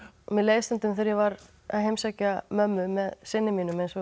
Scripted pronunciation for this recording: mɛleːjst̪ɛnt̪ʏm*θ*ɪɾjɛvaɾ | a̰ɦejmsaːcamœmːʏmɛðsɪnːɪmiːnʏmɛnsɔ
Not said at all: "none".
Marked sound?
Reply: θ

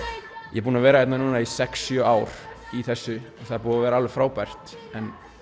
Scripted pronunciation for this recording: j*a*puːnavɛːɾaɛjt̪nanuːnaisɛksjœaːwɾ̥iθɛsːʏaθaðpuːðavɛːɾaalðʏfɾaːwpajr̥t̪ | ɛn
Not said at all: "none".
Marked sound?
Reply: ɛ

